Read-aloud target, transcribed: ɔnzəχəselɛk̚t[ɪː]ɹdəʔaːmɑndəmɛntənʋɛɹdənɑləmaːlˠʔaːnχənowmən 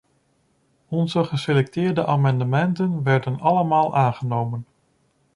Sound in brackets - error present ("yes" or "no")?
no